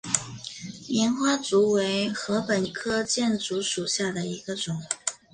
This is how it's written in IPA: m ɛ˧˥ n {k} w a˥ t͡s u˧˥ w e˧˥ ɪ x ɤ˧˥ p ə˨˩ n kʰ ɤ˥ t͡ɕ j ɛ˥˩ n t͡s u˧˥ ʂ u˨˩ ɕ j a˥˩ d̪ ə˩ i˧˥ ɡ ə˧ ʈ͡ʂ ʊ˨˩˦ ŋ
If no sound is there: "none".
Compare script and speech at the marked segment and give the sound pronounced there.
x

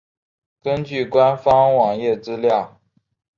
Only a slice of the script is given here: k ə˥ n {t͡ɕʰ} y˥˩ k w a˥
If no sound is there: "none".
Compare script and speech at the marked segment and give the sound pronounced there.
t͡ɕ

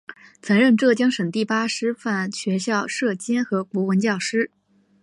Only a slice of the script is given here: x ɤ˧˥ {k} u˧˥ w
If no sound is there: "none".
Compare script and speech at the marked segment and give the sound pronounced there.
k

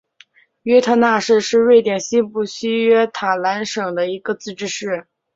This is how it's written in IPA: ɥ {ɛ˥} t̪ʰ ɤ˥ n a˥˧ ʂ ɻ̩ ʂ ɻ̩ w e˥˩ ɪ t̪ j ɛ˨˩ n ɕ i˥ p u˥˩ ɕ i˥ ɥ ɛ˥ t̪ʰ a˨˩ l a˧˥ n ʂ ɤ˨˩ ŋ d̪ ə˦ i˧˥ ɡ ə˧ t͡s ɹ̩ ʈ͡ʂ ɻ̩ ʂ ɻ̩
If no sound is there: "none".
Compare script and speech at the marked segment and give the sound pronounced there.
ɛ˥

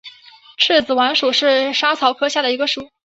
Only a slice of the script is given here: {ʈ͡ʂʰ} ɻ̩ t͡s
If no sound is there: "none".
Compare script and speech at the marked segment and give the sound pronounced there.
ʈ͡ʂʰ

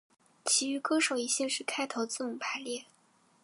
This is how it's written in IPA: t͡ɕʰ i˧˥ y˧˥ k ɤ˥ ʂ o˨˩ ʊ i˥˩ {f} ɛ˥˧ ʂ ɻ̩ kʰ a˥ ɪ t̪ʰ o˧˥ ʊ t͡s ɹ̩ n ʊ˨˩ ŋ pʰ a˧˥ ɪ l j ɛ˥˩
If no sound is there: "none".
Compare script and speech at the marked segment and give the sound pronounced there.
ɕ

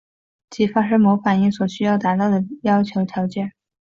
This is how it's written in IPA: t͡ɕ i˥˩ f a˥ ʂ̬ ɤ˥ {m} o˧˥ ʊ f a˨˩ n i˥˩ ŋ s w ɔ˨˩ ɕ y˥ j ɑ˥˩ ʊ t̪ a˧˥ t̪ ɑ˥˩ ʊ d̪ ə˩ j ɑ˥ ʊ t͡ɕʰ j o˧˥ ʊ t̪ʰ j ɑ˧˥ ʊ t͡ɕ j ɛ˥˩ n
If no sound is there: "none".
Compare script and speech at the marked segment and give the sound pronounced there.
m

